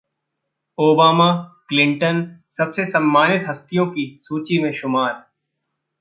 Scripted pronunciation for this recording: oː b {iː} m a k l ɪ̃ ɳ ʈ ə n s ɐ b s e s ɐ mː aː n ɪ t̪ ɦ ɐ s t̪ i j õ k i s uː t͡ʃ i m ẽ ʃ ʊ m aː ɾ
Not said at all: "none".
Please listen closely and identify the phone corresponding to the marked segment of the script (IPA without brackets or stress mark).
aː